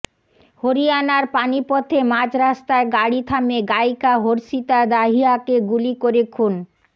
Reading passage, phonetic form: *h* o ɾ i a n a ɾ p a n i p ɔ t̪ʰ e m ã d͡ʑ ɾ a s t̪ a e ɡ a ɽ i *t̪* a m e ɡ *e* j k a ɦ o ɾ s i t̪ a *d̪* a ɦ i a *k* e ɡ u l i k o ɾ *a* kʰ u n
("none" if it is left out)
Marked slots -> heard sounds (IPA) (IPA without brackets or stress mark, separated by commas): h, t̪ʰ, a, d̪, k, e